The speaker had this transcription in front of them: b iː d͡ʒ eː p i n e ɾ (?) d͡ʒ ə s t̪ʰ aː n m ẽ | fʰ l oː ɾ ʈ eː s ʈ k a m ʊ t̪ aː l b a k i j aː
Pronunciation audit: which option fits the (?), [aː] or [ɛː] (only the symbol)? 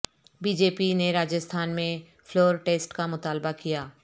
aː